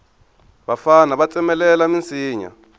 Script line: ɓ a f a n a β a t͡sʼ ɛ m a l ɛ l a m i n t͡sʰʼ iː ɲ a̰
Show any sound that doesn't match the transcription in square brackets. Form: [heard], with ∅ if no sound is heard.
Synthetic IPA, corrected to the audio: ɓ a f a n a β a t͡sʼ ɛ m [ɛ] l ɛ l a m i n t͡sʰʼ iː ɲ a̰